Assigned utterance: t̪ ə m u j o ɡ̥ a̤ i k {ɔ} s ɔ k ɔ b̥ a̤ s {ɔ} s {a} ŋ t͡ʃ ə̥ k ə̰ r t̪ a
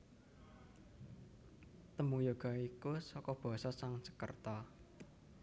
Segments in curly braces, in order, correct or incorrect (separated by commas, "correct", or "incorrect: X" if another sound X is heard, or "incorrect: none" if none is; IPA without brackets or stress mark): incorrect: u, correct, correct